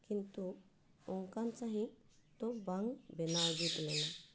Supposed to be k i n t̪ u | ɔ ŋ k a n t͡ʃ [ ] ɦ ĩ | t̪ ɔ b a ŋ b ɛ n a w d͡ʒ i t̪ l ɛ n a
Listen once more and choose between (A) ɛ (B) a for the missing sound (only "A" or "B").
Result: B